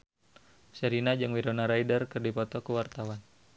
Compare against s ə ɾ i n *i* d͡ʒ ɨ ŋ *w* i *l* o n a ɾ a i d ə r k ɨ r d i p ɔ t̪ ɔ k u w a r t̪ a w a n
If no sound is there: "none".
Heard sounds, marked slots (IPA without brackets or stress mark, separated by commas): a, w, ɾ